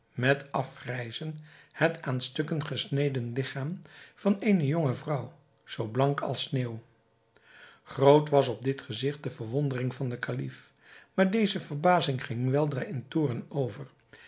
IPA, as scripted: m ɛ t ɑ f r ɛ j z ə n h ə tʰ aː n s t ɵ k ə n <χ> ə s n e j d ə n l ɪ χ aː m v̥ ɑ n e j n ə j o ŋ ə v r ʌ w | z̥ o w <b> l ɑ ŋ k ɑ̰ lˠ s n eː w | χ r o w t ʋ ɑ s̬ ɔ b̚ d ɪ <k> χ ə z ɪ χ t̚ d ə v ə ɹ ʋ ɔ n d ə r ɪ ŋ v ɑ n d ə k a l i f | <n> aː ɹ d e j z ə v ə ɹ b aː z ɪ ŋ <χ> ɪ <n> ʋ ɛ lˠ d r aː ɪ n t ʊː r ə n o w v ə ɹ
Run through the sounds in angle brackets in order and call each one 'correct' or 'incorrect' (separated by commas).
correct, correct, incorrect, incorrect, correct, incorrect